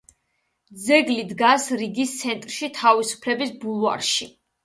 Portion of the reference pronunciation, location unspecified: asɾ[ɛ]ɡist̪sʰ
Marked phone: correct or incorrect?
incorrect